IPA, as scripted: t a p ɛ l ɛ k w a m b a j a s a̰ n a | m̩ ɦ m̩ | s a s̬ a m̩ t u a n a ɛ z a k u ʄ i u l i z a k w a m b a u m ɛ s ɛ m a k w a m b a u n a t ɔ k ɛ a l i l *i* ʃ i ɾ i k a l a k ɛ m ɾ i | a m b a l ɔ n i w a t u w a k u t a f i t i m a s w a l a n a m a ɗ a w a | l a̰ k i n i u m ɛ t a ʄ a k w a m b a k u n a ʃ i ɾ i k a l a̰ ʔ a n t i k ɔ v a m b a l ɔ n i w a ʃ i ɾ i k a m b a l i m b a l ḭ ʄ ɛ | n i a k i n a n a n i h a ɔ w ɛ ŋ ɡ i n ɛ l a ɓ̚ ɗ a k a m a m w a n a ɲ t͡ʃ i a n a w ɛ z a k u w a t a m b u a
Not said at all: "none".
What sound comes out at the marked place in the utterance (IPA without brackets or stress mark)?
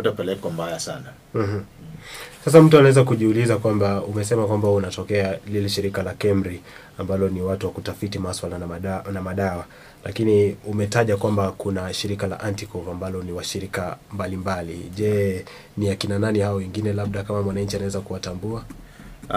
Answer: ɛ